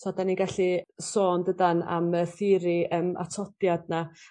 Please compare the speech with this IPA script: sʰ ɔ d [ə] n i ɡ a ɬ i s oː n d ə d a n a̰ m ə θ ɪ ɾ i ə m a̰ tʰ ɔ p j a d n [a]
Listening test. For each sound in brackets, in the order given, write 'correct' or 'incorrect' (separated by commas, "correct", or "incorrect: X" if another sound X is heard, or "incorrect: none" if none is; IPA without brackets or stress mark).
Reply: incorrect: a, correct